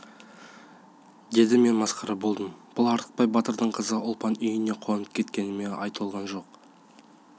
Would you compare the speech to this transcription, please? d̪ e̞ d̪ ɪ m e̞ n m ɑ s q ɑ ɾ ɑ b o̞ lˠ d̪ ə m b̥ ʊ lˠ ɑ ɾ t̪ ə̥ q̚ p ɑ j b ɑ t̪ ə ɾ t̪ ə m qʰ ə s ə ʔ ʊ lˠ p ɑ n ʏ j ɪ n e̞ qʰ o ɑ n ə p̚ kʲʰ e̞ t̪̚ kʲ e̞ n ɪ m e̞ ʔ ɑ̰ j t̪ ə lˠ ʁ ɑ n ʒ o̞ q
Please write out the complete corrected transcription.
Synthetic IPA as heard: d̪ e̞ d̪ ɪ m e̞ n m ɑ s q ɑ ɾ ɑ b o̞ lˠ d̪ ə m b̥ ʊ lˠ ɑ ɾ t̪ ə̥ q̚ p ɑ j b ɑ t̪ ə ɾ d̪ ə ɴ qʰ ə z ə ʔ ʊ lˠ p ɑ n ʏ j ɪ n e̞ qʰ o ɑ n ə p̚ kʲʰ e̞ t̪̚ kʲ e̞ n ɪ m e̞ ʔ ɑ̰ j t̪ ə lˠ ʁ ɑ n ʒ o̞ q

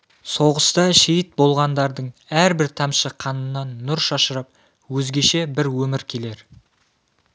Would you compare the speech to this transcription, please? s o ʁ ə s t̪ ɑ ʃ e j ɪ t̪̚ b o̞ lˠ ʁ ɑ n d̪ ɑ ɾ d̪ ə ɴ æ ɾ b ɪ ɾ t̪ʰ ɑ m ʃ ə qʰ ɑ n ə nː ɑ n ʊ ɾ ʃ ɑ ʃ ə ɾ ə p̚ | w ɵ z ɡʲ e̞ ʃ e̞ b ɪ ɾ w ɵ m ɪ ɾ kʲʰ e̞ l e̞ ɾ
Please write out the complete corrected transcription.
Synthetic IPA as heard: s o ʁ ə s t̪ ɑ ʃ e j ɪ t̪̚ b o̞ lˠ ʁ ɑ n d̪ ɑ ɾ d̪ ə ɴ æ ɾ b ɪ ɾ t̪ʰ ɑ m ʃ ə qʰ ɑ n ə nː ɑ nː ʊ ɾ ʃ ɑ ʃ ə ɾ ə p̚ | w ɵ z ɡʲ e̞ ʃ e̞ b ɪ ɾ w ɵ m ɪ ɾ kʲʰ e̞ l e̞ ɾ

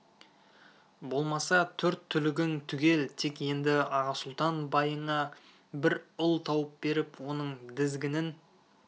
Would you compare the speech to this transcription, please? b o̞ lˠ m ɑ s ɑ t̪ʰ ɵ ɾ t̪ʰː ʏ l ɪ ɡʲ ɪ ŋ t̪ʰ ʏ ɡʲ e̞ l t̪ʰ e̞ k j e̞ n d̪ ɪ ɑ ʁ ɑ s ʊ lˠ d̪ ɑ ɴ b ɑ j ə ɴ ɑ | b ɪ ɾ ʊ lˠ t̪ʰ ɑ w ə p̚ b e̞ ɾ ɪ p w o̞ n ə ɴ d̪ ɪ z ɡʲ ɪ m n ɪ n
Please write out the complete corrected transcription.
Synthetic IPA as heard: b o̞ lˠ m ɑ s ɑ t̪ʰ ɵ ɾ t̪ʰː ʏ l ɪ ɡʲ ɪ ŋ t̪ʰ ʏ ɡʲ e̞ l t̪ʰ e̞ k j e̞ n d̪ ɪ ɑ ʁ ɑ s ʊ lˠ t̪ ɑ n b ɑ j ə ɴ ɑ | b ɪ ɾ ʊ lˠ t̪ʰ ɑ w ə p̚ b e̞ ɾ ɪ p w o̞ n ə ɴ d̪ ɪ z ɡʲ ɪ n ɪ n

